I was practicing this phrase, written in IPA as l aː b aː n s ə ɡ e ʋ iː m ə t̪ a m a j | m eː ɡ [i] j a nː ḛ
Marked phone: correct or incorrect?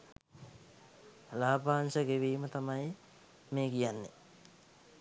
correct